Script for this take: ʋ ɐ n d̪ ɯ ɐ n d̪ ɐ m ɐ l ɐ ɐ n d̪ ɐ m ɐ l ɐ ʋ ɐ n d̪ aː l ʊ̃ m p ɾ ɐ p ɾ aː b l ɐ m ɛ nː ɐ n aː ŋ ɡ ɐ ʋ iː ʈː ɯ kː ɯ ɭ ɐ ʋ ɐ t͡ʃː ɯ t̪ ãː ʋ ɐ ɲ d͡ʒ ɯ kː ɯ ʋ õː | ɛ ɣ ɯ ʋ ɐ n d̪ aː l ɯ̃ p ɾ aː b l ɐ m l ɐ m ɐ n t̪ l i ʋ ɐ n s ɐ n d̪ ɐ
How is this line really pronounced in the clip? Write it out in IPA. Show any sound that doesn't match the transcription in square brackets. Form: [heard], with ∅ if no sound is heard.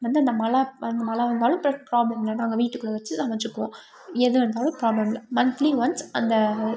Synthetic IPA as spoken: ʋ ɐ n d̪ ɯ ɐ n d̪ ɐ m ɐ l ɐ ɐ n d̪ ɐ m ɐ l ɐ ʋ ɐ n d̪ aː l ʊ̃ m p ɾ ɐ p ɾ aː b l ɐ m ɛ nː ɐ n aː ŋ ɡ ɐ ʋ iː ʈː ɯ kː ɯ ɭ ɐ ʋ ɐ t͡ʃː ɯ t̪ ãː ʋ ɐ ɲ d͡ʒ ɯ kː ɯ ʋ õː | ɛ [ð] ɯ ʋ ɐ n d̪ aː l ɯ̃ p ɾ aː b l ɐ m l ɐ m ɐ n t̪ l i ʋ ɐ n s ɐ n d̪ ɐ